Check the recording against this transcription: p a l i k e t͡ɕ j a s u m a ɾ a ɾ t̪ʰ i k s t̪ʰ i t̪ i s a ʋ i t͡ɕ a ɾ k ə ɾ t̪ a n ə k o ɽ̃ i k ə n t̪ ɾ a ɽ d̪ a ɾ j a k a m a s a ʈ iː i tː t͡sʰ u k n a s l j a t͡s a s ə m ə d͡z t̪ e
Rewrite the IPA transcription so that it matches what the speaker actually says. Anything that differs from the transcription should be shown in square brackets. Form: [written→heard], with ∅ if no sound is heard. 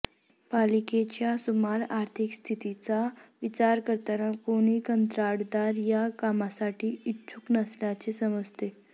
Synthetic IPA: p a l i k e t͡ɕ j a s u m a ɾ a ɾ t̪ʰ i k s t̪ʰ i t̪ i [s→t͡s] a ʋ i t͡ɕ a ɾ k ə ɾ t̪ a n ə k o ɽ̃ i k ə n t̪ ɾ a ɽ d̪ a ɾ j a k a m a s a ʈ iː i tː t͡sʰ u k n [a→ə] s l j a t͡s [a→e] s ə m ə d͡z t̪ e